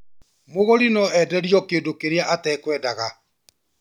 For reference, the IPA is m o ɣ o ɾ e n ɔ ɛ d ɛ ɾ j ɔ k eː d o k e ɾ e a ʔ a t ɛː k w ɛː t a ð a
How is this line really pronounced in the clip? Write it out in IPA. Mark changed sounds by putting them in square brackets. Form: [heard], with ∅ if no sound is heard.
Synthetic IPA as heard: m o ɣ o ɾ [i] n ɔ ɛ d ɛ ɾ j ɔ k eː d o k e ɾ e a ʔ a t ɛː k w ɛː [d] a [ɣ] a